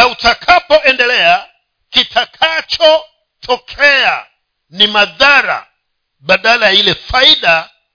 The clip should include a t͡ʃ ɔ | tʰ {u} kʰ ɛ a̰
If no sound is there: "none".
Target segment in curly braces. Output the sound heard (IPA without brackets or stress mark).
ɔ